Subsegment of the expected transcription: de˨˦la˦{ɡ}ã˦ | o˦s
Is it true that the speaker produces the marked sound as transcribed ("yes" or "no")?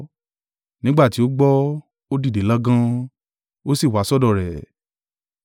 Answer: yes